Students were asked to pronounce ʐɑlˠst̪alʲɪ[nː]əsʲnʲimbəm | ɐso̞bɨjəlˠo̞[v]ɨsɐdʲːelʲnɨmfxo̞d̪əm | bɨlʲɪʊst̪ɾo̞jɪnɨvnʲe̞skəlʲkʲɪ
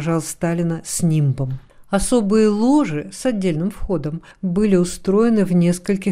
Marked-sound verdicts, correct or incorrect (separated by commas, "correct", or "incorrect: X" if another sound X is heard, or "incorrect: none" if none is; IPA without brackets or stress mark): incorrect: n, incorrect: ʐ